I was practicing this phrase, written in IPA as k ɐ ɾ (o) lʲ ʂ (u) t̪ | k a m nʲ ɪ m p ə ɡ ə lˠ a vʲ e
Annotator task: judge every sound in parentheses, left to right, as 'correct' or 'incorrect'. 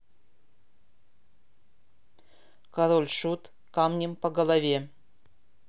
correct, correct

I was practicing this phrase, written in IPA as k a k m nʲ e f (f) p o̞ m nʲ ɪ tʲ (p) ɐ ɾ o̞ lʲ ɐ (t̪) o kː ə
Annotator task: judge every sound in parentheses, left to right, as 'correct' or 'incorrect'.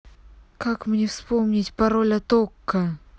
incorrect: s, correct, correct

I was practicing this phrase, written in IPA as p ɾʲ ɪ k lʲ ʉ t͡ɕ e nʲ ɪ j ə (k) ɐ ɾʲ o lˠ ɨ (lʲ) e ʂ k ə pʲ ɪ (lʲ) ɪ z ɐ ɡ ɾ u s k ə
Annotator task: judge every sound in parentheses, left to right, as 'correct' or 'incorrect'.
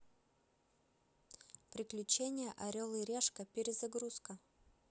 incorrect: ʔ, incorrect: ɾʲ, incorrect: ɾʲ

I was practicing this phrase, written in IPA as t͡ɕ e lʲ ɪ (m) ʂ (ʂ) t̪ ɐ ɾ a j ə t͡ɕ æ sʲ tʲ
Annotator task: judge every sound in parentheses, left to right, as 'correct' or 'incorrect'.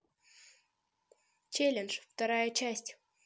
incorrect: n, incorrect: f

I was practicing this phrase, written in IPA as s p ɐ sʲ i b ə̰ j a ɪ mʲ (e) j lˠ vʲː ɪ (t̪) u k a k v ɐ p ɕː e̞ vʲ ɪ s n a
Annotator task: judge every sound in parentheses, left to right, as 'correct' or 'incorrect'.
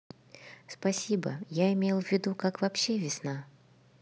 correct, incorrect: d̪

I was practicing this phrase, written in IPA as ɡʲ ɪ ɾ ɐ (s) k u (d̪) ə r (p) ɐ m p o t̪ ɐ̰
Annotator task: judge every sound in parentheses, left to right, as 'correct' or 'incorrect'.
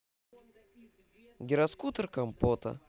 correct, incorrect: t̪, incorrect: k

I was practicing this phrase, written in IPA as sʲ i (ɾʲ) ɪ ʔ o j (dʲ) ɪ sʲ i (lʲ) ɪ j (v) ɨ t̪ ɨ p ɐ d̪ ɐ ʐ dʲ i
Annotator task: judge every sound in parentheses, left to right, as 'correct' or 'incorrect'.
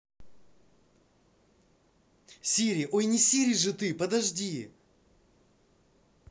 correct, incorrect: nʲ, incorrect: ɾʲ, incorrect: ʐ

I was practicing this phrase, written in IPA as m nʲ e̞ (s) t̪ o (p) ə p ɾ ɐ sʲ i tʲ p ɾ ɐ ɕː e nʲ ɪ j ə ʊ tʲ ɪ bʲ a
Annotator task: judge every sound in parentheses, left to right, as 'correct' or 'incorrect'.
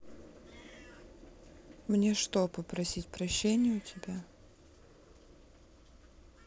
incorrect: ʂ, correct

